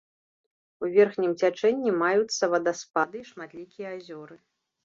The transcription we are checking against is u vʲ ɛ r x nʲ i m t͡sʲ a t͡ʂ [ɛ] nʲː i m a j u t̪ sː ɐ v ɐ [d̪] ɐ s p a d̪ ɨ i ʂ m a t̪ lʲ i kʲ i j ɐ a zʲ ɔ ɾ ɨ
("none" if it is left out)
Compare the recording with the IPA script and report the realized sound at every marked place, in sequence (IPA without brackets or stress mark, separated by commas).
ɛ, d̪